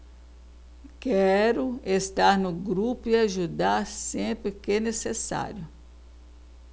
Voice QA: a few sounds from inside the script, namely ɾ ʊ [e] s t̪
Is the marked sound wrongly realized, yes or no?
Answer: no